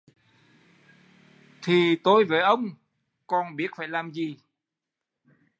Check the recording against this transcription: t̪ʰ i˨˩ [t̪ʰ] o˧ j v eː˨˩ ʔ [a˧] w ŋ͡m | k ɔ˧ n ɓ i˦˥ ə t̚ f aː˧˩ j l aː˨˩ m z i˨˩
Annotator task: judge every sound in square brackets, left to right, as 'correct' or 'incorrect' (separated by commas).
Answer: incorrect, incorrect